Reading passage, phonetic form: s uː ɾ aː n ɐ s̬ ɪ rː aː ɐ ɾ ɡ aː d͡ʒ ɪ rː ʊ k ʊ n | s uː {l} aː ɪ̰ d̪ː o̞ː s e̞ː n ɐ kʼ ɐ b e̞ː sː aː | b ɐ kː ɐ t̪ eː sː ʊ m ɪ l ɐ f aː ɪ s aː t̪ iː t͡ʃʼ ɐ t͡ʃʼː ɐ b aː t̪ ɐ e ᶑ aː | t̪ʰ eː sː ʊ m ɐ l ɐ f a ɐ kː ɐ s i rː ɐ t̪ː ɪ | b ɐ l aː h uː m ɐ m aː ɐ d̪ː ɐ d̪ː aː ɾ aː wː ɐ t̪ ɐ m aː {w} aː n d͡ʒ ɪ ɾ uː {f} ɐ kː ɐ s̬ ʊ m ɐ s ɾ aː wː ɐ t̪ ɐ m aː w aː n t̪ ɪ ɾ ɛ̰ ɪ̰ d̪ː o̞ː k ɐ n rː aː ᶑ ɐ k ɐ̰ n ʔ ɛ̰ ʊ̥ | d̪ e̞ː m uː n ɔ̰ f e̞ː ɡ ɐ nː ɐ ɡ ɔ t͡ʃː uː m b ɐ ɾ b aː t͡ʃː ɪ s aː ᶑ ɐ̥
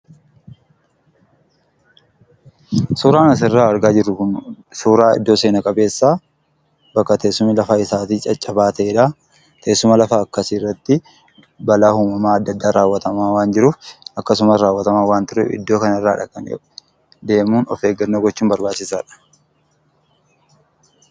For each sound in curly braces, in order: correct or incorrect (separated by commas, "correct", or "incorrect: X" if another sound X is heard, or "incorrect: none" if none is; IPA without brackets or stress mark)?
incorrect: ɾ, correct, correct